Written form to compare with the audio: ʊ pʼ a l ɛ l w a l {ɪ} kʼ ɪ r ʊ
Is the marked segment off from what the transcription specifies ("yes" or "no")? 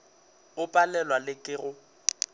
no